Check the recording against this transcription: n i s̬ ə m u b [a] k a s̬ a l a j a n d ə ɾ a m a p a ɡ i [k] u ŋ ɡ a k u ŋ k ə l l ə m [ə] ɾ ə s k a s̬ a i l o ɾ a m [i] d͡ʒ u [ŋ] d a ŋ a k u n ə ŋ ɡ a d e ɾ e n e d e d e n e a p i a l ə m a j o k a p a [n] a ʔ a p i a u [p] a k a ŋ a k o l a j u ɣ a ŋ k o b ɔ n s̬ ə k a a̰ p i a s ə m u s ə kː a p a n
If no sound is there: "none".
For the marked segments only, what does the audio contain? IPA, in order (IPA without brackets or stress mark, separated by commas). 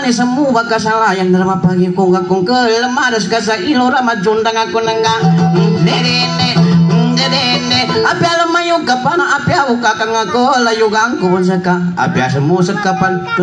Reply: a, k, a, a, n, n, k